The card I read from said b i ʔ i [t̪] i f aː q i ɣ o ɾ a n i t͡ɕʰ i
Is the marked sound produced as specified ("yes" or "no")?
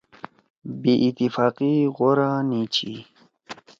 yes